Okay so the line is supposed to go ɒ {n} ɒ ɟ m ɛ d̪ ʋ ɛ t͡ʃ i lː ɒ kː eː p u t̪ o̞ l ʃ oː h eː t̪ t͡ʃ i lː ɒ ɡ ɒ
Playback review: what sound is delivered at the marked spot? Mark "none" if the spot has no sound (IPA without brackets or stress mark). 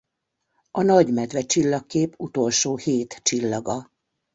n